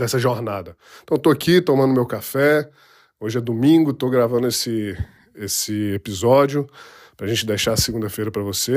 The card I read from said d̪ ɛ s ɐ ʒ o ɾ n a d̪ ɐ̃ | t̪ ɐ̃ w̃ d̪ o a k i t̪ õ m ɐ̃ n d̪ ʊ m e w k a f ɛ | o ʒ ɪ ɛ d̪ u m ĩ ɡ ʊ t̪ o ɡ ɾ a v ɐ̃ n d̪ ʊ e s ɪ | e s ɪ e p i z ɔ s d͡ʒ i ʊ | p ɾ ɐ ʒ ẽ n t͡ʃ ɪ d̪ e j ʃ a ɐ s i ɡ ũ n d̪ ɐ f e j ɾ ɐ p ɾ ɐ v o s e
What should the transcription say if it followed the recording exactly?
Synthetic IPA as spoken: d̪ ɛ s ɐ ʒ o ɾ n a d̪ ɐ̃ | t̪ ɐ̃ w̃ t̪ o a k i t̪ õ m ɐ̃ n d̪ ʊ m e w k a f ɛ | o ʒ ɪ ɛ d̪ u m ĩ ɡ ʊ t̪ o ɡ ɾ a v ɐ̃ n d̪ ʊ e s ɪ | e s ɪ e p i z ɔ d͡ʒ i ʊ | p ɾ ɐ ʒ ẽ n t͡ʃ ɪ d̪ e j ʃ a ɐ s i ɡ ũ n d̪ ɐ f e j ɾ ɐ p ɾ ɐ v o s e